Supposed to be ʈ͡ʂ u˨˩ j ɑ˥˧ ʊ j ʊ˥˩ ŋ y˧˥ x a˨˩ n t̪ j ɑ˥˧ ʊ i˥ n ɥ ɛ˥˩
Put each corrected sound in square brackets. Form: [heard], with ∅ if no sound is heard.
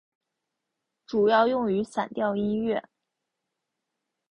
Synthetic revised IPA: ʈ͡ʂ u˨˩ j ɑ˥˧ ʊ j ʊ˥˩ ŋ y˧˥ [s] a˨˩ n t̪ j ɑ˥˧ ʊ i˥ n ɥ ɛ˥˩